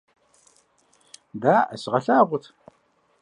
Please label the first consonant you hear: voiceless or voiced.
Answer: voiced